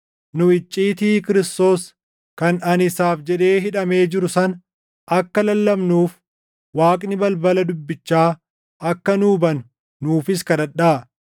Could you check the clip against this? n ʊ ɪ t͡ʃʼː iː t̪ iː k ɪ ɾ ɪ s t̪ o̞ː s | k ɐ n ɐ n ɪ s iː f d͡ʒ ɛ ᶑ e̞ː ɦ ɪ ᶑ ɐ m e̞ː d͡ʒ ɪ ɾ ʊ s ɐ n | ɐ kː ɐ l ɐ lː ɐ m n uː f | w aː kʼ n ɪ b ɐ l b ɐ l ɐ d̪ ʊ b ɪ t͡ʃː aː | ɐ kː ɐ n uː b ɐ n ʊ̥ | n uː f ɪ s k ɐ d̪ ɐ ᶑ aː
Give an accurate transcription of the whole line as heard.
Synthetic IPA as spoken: n ʊ ɪ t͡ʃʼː iː t̪ iː k ɪ ɾ ɪ s t̪ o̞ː s | k ɐ n ɐ n ɪ s aː f d͡ʒ ɛ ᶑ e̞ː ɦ ɪ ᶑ ɐ m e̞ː d͡ʒ ɪ ɾ ʊ s ɐ n | ɐ kː ɐ l ɐ lː ɐ m n uː f | w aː kʼ n ɪ b ɐ l b ɐ l ɐ d̪ ʊ bː ɪ t͡ʃː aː | ɐ kː ɐ n uː b ɐ n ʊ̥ | n uː f ɪ s k ɐ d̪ ɐ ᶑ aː